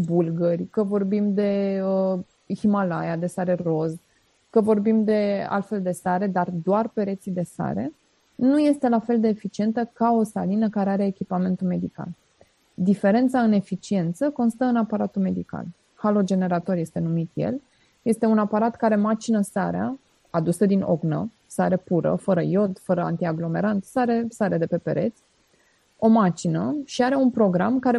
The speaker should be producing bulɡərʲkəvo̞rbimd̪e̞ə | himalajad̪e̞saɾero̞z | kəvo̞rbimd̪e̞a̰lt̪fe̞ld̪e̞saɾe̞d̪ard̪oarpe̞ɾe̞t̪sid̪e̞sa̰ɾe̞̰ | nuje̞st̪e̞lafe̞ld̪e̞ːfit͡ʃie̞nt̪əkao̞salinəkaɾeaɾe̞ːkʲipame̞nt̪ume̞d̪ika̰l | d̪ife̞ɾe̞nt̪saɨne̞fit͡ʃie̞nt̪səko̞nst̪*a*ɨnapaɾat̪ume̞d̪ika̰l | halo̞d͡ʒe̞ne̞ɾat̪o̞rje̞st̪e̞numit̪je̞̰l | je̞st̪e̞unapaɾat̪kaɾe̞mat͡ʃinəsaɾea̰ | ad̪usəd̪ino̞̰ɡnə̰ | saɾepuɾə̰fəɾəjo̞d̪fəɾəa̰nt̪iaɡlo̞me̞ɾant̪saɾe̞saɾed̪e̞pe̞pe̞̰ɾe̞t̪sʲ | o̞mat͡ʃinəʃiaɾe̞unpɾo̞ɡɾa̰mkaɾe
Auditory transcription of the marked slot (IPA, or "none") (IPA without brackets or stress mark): ə